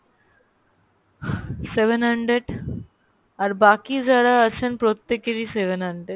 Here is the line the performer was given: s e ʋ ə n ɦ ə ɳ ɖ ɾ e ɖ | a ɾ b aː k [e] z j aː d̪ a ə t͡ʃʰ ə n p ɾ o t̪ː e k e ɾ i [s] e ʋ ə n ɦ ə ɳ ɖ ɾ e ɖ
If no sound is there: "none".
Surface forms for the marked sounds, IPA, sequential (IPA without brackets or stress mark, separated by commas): i, s